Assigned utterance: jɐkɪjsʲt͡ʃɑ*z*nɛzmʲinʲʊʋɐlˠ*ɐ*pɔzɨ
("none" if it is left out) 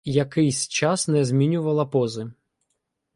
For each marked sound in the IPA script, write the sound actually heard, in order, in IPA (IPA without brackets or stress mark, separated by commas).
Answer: s, ɐ